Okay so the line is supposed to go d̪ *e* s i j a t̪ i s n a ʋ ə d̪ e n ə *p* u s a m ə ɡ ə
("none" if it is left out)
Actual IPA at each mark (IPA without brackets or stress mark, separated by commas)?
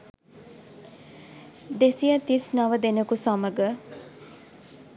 e, k